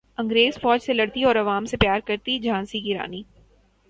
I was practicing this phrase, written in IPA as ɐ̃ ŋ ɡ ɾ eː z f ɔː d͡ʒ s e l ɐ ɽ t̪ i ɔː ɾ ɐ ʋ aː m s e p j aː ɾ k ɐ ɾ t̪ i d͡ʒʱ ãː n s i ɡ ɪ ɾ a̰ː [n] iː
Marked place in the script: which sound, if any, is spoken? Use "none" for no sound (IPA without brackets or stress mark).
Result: n